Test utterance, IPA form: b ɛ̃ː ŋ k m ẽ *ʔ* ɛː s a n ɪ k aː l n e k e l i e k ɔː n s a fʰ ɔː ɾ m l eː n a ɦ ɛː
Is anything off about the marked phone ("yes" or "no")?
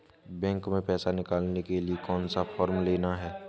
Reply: yes